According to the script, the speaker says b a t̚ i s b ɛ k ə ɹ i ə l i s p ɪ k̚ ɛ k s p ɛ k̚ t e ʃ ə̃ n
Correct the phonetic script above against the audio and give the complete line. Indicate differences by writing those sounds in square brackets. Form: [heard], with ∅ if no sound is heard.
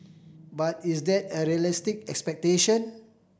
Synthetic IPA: b a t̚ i s [d] ɛ [t] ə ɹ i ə l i s [t] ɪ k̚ ɛ k s p ɛ k̚ t e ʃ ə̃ n